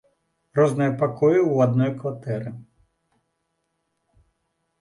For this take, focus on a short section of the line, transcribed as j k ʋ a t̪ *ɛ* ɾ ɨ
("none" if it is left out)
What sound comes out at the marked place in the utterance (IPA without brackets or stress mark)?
ɛ